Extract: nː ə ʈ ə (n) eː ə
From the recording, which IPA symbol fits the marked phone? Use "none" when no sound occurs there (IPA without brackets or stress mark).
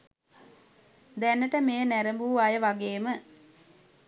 m